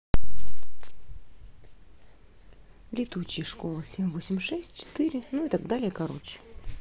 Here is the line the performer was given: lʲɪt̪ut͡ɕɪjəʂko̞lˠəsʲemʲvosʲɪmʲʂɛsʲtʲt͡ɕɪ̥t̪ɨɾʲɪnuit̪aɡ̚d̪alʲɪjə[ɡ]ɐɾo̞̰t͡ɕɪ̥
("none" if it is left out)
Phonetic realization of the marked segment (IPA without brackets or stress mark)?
k